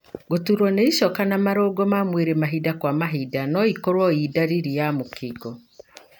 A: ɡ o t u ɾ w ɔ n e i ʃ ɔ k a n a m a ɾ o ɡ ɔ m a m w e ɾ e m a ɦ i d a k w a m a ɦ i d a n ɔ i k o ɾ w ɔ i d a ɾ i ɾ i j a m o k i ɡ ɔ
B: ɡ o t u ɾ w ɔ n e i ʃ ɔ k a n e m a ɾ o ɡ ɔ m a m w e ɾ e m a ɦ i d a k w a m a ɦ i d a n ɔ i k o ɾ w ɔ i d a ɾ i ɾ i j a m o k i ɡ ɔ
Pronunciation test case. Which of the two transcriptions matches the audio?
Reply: A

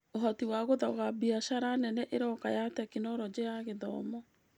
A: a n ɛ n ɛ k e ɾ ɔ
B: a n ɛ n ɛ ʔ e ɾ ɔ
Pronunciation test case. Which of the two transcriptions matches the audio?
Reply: B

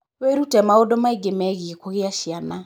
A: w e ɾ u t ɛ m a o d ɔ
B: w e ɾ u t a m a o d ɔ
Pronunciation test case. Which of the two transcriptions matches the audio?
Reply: A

